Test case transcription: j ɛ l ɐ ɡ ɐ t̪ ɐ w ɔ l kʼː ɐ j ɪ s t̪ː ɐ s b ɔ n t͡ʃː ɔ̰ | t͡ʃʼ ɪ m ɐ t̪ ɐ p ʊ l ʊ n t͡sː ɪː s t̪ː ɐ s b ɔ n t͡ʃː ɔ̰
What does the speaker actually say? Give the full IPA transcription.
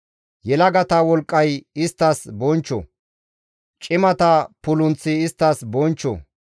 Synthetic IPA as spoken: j ɛ l ɐ ɡ ɐ t̪ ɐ w ɔ l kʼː ɐ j ɪ s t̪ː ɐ s b ɔ n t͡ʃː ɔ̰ | t͡ʃʼ ɪ m ɐ t̪ ɐ p ʊ l ʊ n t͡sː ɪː s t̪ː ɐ s b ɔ n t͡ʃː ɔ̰

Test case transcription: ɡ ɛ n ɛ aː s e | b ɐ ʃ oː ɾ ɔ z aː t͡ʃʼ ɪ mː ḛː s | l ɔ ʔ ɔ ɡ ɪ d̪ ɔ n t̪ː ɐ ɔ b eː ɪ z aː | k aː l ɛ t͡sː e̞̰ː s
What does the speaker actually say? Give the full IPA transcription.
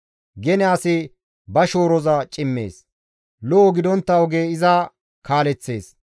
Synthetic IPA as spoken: ɡ ɛ n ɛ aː s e | b ɐ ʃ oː ɾ ɔ z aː t͡ʃʼ ɪ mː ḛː s | l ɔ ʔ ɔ ɡ ɪ d̪ ɔ n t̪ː ɐ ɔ ɡ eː ɪ z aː | k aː l ɛ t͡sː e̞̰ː s

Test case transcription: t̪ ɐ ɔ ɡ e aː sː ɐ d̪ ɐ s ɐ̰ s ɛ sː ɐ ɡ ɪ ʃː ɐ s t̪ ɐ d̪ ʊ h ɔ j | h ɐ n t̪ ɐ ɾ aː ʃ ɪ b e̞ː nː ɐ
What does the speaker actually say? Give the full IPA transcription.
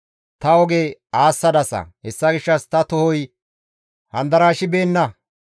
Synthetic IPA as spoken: t̪ ɐ ɔ ɡ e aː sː ɐ d̪ ɐ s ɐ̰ h ɛ sː ɐ ɡ ɪ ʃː ɐ s t̪ ɐ t̪ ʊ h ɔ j | h ɐ n d̪ ɐ ɾ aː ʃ ɪ b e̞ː nː ɐ

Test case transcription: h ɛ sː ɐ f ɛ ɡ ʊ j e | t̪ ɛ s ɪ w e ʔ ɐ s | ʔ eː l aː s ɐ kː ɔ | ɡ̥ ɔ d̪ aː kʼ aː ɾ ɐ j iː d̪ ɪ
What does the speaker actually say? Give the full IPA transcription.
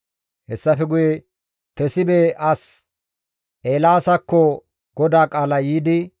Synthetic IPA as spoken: h ɛ sː ɐ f ɛ ɡ ʊ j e | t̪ ɛ s ɪ b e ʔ ɐ s | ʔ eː l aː s ɐ kː ɔ | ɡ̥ ɔ d̪ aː kʼ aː l ɐ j iː d̪ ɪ

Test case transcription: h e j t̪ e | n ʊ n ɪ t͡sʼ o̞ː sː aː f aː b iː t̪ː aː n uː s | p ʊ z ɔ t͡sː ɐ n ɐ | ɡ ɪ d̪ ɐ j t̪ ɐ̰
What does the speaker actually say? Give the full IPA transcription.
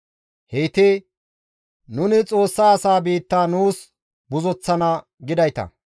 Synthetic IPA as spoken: h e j t̪ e | n ʊ n ɪ t͡sʼ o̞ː sː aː s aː b iː t̪ː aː n uː s | b ʊ z ɔ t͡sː ɐ n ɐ | ɡ ɪ d̪ ɐ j t̪ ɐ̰

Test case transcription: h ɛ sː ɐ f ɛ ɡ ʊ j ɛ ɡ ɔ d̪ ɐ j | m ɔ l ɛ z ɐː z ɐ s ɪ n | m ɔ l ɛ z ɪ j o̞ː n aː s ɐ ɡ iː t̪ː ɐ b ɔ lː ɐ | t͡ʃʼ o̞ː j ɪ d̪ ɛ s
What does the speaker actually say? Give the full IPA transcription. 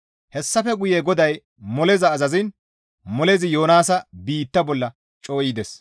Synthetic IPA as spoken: h ɛ sː ɐ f ɛ ɡ ʊ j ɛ ɡ ɔ d̪ ɐ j | m ɔ l ɛ z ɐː z ɐ z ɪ n | m ɔ l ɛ z ɪ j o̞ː n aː s ɐ b iː t̪ː ɐ b ɔ lː ɐ | t͡ʃʼ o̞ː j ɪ d̪ ɛ s

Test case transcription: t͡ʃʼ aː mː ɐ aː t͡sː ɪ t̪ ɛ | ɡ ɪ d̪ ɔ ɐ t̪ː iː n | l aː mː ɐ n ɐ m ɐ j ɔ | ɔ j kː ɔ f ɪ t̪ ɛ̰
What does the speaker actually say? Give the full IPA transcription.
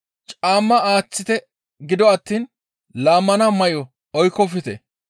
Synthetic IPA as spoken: t͡ʃʼ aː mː ɐ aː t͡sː ɪ t̪ ɛ | ɡ ɪ d̪ ɔ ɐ t̪ː iː n | l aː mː ɐ n ɐ m ɐ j ɔ | ɔ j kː ɔ f ɪ t̪ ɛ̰

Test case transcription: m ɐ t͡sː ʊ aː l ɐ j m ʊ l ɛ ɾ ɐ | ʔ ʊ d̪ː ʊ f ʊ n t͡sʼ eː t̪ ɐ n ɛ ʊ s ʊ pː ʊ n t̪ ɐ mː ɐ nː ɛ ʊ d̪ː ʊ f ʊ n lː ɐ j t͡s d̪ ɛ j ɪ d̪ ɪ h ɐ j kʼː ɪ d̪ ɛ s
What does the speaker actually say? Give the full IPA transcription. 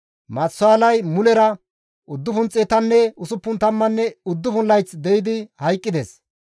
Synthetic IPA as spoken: m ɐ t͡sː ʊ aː l ɐ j m ʊ l ɛ ɾ ɐ | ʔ ʊ d̪ː ʊ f ʊ n t͡sʼ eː t̪ ɐ nː ɛ ʊ s ʊ pː ʊ n t̪ ɐ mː ɐ nː ɛ ʊ d̪ː ʊ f ʊ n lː ɐ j t͡s d̪ ɛ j ɪ d̪ ɪ h ɐ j kʼː ɪ d̪ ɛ s

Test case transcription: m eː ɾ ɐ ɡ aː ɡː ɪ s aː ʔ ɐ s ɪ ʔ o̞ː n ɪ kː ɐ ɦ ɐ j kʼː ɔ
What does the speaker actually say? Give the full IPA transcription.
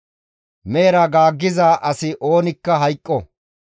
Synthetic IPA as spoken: m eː ɾ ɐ ɡ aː ɡː ɪ z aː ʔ ɐ s ɪ ʔ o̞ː n ɪ kː ɐ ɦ ɐ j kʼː ɔ

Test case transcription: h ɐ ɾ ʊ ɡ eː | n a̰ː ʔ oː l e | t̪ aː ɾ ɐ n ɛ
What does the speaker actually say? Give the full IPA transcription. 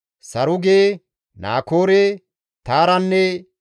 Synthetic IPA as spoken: s ɐ ɾ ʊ ɡ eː | n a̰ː k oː ɾ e | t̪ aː ɾ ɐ nː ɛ

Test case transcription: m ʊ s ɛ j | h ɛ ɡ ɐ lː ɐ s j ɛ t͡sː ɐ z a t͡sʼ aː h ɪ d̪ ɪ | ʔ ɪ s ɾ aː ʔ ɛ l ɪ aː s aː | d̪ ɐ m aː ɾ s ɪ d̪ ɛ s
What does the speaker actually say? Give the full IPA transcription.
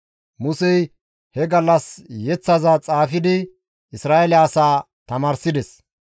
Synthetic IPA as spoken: m ʊ s ɛ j | h ɛ ɡ ɐ lː ɐ s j ɛ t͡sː ɐ z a t͡sʼ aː f ɪ d̪ ɪ | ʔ ɪ s ɾ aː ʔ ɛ l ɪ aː s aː | t̪ ɐ m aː ɾ s ɪ d̪ ɛ s

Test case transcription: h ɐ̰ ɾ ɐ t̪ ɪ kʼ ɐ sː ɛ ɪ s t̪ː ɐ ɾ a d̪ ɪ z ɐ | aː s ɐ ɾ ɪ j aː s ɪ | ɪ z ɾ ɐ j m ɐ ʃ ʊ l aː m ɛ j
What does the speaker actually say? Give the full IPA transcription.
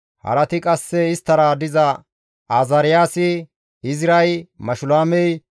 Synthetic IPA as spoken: h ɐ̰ ɾ ɐ t̪ ɪ kʼ ɐ sː ɛ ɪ s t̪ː ɐ ɾ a d̪ ɪ z ɐ | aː z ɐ ɾ ɪ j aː s ɪ | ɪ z ɾ ɐ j m ɐ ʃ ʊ l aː m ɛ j

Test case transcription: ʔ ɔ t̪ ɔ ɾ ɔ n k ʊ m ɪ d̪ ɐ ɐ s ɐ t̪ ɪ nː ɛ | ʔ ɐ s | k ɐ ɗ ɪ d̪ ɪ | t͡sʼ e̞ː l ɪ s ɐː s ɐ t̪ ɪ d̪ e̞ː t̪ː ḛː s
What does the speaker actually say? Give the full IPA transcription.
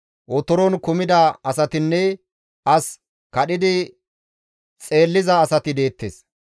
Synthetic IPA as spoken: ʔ ɔ t̪ ɔ ɾ ɔ n k ʊ m ɪ d̪ ɐ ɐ s ɐ t̪ ɪ nː ɛ | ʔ ɐ s | k ɐ ɗ ɪ d̪ ɪ | t͡sʼ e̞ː lː ɪ z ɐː s ɐ t̪ ɪ d̪ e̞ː t̪ː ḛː s

